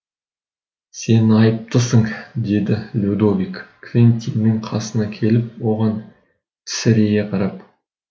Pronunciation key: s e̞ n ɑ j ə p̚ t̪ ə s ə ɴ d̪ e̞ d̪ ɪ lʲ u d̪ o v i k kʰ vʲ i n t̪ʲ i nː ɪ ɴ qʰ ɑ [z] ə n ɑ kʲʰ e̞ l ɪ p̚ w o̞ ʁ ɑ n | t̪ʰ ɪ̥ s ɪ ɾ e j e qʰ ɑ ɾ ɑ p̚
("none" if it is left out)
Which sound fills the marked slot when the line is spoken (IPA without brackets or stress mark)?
s